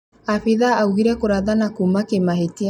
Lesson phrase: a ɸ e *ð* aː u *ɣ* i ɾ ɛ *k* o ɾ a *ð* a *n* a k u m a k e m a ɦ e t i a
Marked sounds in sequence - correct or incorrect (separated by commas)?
correct, correct, correct, correct, correct